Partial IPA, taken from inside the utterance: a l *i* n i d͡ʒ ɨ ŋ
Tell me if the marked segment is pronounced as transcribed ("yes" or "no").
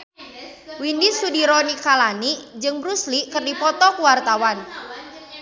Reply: no